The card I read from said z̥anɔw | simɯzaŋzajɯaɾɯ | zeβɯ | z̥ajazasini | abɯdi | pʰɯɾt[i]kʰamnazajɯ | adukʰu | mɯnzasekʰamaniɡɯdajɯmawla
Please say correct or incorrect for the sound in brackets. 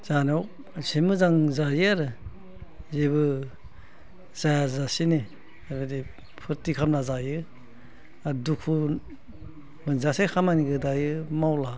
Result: correct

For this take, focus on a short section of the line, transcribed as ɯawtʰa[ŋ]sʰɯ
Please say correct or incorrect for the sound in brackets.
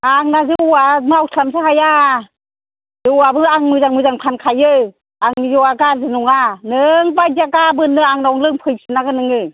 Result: incorrect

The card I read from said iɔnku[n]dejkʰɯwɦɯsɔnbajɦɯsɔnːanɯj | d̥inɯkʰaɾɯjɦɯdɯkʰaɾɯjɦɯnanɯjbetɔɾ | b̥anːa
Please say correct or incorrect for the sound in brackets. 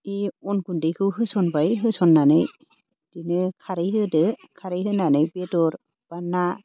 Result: correct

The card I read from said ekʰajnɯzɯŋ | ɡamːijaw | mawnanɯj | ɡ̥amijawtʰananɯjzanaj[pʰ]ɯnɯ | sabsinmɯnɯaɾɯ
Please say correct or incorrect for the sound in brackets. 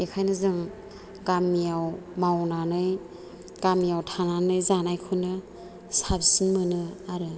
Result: incorrect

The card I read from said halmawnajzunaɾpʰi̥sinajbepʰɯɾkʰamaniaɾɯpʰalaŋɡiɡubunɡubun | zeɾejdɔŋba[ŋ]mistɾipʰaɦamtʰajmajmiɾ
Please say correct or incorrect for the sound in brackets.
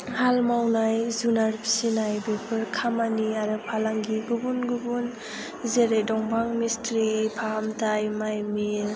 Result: correct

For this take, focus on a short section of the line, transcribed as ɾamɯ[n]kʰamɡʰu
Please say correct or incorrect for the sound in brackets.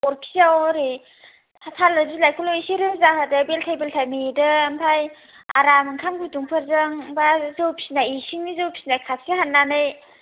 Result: incorrect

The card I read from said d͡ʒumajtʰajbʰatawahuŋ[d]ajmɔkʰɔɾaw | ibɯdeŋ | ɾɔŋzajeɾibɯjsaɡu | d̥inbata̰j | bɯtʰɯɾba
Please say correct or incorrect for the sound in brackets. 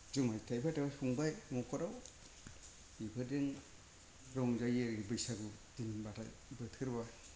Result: incorrect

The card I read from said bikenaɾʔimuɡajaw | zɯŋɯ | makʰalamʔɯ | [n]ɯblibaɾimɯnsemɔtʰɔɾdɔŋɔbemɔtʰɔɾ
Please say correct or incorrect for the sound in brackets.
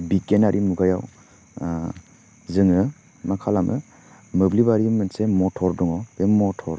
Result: incorrect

